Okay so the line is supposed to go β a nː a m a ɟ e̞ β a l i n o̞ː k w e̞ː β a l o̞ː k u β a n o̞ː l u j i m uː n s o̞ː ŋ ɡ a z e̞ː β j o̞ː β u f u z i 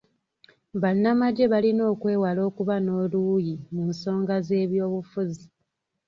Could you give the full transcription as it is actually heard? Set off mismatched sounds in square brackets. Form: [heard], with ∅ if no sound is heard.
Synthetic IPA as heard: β a nː a m a ɟ e̞ β a l i n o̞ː k w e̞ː [w] a l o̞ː k u β a n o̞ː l u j i m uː n s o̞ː ŋ ɡ a z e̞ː β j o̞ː β u f u z i